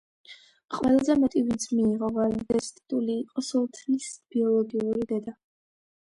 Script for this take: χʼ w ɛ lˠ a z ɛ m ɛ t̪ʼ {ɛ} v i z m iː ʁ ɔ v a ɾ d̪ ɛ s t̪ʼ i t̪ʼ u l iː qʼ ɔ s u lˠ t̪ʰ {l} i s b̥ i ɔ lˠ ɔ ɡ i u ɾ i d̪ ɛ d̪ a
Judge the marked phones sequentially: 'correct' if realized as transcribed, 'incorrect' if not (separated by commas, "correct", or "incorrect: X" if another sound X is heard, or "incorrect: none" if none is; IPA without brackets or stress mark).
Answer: incorrect: i, correct